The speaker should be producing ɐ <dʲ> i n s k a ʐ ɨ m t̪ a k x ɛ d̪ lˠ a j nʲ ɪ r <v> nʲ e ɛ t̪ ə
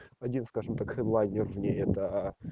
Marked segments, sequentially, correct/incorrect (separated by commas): correct, correct